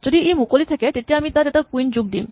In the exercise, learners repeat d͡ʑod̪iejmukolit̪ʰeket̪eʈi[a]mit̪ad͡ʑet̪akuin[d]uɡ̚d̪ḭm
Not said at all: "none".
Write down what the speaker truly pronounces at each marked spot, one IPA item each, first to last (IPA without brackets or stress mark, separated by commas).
a, d͡ʑ